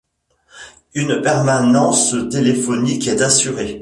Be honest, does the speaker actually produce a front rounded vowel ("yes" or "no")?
yes